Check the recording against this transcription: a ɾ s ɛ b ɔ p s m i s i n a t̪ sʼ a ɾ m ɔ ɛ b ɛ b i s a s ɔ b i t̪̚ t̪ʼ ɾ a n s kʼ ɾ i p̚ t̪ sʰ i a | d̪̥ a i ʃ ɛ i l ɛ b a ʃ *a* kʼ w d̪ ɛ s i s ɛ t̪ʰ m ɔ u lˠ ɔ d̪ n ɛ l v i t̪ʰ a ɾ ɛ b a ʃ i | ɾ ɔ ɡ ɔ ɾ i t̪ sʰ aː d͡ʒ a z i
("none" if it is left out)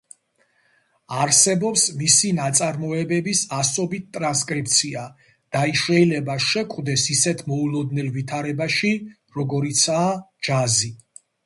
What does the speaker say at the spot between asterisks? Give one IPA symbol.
ɛ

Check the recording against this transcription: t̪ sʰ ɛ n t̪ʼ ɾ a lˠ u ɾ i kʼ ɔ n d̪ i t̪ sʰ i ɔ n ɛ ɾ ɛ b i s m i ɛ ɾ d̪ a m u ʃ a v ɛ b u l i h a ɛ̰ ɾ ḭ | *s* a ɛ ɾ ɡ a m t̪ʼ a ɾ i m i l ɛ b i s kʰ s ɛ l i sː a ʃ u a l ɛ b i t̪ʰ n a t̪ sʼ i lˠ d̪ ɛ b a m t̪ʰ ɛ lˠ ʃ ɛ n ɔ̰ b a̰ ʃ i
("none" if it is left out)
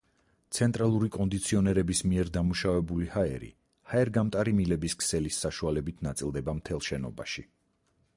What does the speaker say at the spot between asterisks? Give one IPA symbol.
h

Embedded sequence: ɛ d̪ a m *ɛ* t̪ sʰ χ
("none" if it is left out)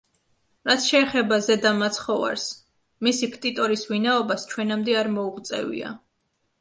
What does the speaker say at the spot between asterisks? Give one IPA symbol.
a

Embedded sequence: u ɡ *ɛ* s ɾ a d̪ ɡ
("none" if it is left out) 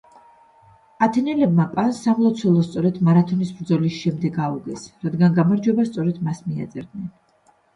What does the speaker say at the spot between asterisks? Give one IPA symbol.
ɛ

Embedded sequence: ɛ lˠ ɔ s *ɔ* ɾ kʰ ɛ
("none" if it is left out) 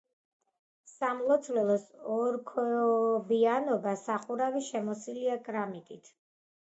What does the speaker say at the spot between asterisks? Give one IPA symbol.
ɔ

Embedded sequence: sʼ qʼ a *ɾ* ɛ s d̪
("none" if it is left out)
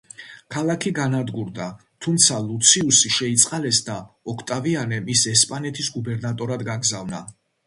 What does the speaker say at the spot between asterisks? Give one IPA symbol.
l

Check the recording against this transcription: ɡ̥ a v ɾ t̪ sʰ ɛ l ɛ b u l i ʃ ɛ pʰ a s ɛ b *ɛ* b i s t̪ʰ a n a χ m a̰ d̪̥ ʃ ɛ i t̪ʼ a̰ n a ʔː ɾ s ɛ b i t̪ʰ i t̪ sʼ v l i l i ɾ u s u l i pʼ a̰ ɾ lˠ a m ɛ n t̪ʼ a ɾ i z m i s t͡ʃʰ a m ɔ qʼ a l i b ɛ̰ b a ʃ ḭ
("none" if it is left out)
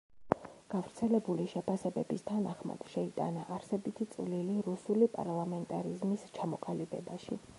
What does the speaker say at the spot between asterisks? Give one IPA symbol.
ɛ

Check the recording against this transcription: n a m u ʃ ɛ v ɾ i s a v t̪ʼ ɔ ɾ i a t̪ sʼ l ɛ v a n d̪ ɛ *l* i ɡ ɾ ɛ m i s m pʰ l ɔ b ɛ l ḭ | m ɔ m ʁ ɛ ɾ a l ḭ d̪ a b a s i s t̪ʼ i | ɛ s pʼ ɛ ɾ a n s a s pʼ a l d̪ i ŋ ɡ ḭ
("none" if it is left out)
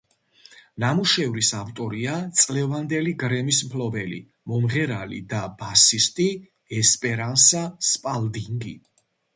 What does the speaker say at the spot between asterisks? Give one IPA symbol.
l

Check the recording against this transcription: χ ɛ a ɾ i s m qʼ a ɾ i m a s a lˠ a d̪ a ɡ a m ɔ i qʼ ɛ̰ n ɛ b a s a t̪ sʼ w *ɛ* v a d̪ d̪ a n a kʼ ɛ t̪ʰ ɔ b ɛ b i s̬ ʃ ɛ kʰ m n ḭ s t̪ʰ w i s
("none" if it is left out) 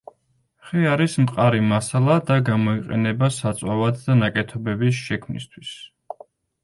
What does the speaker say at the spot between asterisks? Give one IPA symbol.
a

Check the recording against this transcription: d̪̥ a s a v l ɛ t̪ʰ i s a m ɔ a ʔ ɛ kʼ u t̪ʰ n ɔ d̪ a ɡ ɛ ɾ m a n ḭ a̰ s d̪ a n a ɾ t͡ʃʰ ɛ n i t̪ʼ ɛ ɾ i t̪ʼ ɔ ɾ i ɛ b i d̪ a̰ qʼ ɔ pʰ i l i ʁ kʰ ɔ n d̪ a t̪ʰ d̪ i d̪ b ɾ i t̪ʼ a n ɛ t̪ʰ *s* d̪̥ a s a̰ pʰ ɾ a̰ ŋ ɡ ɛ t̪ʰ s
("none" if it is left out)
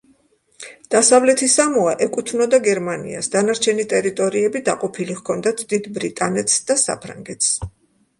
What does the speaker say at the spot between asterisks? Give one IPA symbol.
s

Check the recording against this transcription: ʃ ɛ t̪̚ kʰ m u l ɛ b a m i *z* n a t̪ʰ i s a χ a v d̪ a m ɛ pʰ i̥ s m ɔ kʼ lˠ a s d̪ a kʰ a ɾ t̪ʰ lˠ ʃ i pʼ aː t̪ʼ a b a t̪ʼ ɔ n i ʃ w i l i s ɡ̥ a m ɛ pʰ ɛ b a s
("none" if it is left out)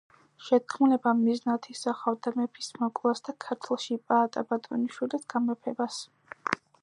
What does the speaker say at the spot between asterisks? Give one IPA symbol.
z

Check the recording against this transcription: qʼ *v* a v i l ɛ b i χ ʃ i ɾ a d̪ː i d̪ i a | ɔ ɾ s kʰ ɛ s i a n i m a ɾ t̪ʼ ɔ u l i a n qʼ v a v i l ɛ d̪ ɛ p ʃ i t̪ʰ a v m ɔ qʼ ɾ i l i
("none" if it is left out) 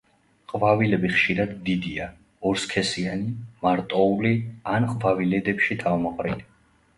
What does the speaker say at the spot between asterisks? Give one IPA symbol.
v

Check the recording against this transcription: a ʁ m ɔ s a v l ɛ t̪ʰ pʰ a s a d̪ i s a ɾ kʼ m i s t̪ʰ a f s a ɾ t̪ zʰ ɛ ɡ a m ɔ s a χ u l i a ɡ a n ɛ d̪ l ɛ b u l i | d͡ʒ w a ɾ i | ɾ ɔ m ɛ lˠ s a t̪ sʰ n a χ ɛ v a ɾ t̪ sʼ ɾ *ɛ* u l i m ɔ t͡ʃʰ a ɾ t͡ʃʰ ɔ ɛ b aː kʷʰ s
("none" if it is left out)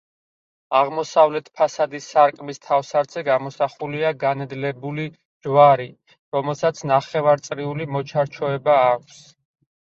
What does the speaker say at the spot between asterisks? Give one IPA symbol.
i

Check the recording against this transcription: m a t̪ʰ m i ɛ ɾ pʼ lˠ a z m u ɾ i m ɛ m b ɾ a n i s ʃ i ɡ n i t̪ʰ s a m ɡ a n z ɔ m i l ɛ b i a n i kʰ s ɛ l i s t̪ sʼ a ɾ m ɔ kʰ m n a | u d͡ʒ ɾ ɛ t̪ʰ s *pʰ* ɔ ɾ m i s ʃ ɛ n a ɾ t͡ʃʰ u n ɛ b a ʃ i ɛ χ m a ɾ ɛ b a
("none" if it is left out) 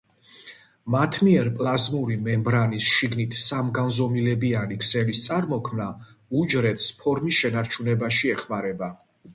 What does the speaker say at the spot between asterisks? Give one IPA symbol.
pʰ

